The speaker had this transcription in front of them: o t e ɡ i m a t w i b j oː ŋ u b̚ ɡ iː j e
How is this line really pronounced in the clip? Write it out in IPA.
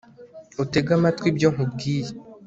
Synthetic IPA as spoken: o t e ɡ a m a t w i b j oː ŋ u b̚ ɡ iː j e